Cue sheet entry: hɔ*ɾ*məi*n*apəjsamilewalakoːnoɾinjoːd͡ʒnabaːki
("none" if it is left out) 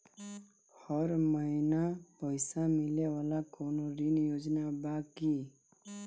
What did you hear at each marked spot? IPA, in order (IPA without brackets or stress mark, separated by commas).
ɾ, n